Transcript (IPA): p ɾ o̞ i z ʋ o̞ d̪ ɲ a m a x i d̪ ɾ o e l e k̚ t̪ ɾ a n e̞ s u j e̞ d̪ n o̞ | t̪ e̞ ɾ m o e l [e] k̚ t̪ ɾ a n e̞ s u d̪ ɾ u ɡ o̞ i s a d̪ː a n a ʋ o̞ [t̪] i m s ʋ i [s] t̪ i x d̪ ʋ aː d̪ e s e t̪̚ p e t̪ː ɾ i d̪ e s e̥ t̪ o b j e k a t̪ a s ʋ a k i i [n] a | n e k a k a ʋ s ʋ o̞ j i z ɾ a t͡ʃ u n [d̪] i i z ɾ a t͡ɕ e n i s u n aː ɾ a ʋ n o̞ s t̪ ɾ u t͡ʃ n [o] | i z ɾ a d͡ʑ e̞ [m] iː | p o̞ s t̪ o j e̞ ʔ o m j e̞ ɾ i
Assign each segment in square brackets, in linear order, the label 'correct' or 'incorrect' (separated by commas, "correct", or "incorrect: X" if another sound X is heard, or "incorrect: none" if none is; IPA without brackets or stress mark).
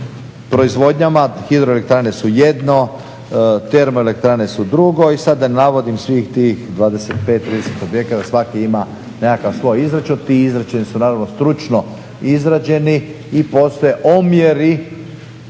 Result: correct, incorrect: d̪, incorrect: x, incorrect: m, incorrect: t̪, correct, incorrect: n